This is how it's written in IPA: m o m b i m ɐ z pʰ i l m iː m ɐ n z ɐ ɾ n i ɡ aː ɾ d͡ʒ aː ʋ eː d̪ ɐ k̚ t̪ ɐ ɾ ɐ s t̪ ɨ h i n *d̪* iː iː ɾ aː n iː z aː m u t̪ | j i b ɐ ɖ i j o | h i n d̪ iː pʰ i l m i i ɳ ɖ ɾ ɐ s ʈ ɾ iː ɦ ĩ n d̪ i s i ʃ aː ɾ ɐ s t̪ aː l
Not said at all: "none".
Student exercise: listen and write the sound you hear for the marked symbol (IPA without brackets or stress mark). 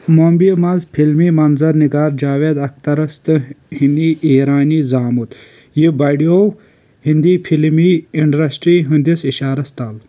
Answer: d̪